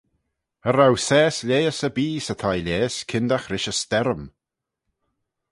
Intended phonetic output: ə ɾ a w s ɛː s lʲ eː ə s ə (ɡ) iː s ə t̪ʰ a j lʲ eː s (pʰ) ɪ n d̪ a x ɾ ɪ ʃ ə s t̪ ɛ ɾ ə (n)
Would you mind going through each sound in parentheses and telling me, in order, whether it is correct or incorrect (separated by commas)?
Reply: incorrect, incorrect, incorrect